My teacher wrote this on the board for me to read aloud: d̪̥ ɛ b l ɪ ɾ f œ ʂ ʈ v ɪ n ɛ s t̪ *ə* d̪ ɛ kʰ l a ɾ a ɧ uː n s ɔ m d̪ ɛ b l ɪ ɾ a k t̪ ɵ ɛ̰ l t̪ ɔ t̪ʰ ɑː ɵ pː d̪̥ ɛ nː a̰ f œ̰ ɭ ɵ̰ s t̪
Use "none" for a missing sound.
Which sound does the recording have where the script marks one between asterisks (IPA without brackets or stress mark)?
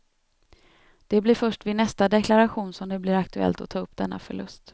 a